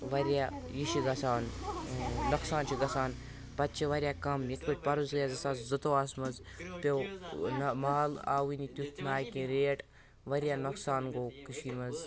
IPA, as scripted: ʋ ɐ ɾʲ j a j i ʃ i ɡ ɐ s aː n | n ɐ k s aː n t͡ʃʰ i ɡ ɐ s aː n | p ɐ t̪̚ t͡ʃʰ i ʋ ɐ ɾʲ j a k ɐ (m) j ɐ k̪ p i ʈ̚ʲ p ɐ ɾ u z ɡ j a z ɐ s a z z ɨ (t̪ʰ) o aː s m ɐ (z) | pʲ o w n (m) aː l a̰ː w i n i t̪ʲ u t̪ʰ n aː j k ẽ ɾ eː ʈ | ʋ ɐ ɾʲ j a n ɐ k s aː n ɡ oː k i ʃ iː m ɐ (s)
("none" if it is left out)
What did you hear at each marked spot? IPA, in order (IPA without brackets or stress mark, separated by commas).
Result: m, t̪, z, m, z